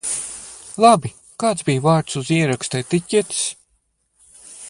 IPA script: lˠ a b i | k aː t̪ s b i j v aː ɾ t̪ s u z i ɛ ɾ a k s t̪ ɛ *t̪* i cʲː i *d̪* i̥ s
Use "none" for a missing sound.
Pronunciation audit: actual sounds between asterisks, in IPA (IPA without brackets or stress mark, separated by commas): t̪, t̪